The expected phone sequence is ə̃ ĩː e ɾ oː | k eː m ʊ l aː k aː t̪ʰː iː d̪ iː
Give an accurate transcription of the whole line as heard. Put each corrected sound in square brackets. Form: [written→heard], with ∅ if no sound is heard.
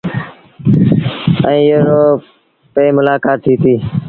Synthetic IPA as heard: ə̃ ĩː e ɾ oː | [k→p] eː m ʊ l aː k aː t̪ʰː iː [d̪→t̪] iː